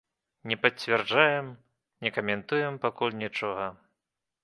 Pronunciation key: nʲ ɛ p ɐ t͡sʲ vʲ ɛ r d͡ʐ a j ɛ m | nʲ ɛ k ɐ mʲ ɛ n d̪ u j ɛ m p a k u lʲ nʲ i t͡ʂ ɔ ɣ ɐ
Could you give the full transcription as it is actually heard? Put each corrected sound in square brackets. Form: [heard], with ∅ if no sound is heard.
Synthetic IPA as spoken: nʲ ɛ p ɐ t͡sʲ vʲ ɛ r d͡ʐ a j ɛ m | nʲ ɛ k ɐ mʲ ɛ n [t̪] u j ɛ m p a k u lʲ nʲ i t͡ʂ ɔ ɣ ɐ